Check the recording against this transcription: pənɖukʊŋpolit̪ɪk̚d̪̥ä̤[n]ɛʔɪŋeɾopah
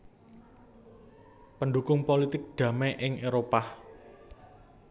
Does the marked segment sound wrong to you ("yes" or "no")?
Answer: yes